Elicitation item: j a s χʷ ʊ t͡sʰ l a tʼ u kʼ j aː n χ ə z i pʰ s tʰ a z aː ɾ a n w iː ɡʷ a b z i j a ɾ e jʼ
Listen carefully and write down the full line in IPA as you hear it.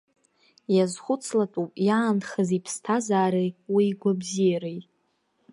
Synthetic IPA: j a z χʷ ʊ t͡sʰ l a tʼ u pʼ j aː n χ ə z i pʰ s tʰ a z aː ɾ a w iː ɡʷ a b z i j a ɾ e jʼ